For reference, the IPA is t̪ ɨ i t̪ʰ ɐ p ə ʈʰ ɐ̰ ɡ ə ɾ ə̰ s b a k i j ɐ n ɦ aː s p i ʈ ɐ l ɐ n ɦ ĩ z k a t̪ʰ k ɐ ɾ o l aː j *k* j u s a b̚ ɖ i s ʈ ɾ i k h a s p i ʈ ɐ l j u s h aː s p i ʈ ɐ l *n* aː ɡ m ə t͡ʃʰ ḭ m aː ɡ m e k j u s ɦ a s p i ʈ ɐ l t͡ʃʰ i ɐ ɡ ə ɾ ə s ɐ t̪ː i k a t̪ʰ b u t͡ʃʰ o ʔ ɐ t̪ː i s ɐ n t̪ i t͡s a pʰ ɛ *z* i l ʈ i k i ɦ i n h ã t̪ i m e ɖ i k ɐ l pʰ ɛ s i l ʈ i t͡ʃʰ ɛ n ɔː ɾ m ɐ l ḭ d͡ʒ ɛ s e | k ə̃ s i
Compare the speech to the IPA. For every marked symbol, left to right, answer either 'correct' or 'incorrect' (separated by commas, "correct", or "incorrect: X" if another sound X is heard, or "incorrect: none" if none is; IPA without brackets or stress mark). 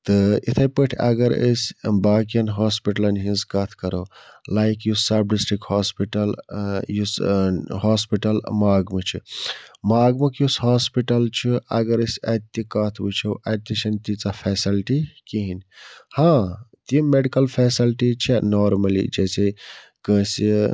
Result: correct, incorrect: m, incorrect: s